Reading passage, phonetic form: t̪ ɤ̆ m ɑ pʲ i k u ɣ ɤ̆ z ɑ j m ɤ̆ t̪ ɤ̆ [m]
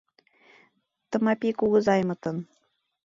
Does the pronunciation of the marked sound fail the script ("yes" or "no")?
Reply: yes